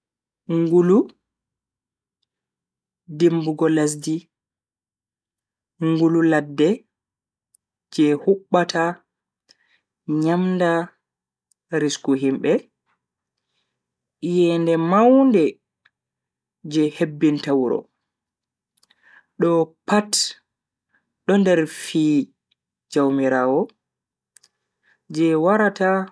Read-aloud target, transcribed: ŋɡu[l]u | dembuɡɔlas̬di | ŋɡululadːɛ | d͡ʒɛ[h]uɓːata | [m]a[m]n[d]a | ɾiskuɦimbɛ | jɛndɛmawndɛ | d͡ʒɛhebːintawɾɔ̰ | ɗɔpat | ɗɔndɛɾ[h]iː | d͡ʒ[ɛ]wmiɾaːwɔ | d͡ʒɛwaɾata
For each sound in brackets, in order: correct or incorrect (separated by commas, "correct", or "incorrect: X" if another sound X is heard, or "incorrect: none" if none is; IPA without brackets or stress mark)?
correct, correct, incorrect: ɲ, correct, correct, incorrect: f, incorrect: a